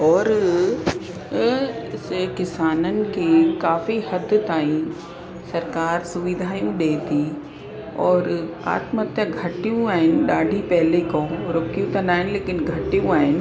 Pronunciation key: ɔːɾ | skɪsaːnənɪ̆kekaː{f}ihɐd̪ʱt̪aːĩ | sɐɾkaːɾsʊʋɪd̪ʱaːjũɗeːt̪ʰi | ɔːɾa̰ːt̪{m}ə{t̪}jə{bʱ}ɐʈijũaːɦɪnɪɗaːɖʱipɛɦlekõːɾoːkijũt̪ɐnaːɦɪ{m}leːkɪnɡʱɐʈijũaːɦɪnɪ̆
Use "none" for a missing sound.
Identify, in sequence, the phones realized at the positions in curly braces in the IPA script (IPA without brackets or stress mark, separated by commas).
f, m, t̪, ɡʱ, n